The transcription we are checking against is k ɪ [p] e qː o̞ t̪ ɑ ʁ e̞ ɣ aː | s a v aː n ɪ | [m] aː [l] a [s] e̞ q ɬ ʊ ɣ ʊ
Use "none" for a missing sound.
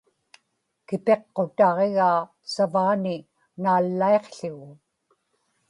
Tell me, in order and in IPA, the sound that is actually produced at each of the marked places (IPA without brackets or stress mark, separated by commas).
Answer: p, n, lː, none